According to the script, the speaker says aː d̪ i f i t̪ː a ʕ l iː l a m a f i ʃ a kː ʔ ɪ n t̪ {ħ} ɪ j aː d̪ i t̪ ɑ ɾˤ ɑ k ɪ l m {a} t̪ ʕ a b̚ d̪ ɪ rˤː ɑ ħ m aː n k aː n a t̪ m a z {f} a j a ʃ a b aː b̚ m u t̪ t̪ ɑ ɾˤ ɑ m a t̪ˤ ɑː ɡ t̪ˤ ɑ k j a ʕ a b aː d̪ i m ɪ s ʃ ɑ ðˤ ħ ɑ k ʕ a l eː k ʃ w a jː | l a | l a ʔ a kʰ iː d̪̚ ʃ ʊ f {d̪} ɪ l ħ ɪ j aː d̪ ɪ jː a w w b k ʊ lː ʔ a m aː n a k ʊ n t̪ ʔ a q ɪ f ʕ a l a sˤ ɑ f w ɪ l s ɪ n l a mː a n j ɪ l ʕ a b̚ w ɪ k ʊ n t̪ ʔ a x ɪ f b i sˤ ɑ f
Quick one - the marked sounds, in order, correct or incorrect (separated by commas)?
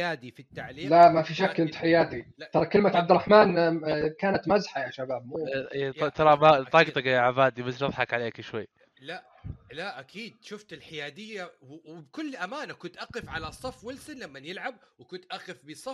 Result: correct, correct, incorrect, incorrect